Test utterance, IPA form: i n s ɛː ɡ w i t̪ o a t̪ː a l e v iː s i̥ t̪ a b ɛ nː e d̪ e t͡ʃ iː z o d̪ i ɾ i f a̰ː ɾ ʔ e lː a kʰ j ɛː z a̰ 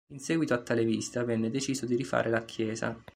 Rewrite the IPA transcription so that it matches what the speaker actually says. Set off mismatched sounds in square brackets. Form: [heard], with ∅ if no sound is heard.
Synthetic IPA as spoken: i n s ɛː ɡ w i t̪ o a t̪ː a l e v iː s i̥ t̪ a [v] ɛ nː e d̪ e t͡ʃ iː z o d̪ i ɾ i f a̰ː ɾ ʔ e [l] a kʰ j ɛː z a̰

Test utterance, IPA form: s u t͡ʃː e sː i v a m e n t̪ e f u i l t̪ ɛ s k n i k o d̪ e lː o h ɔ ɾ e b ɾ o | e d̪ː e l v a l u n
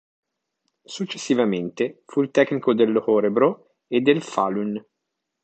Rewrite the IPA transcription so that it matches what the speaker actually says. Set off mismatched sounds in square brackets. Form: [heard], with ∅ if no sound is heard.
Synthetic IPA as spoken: s u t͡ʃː e sː i v a m e n t̪ e f u i l t̪ ɛ [∅] k n i k o d̪ e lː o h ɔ ɾ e b ɾ o | e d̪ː e l [f] a l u n

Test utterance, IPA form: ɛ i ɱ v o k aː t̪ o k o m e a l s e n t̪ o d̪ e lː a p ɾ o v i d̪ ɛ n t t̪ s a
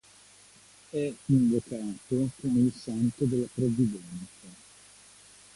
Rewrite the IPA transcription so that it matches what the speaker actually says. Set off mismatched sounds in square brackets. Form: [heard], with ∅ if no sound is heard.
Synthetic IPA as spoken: ɛ i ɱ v o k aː t̪ o k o m e [i] l s [a] n t̪ o d̪ e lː a p ɾ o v i d̪ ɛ n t t̪ s a

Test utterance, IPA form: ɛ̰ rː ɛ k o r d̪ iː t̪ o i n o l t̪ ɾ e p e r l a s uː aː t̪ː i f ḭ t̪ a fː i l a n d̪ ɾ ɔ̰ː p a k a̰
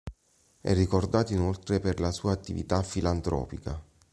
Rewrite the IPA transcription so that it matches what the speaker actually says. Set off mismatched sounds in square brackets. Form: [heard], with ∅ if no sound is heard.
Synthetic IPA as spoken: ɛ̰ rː [i] k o r d̪ [aː] t̪ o i n o l t̪ ɾ e p e r l a s uː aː t̪ː i [v] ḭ t̪ a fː i l a n [t̪] ɾ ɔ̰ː p [i] k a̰

